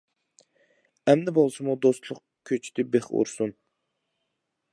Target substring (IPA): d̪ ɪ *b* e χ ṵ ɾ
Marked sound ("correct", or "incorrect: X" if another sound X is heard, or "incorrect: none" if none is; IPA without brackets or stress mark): correct